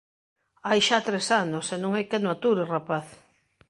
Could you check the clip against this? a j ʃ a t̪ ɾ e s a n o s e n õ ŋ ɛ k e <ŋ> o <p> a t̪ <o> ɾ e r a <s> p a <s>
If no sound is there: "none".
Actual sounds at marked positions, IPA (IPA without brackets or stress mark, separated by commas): n, none, u, none, θ